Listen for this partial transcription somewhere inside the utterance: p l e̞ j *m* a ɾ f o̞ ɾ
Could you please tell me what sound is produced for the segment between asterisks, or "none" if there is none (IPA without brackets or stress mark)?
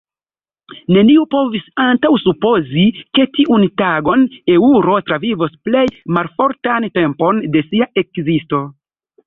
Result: m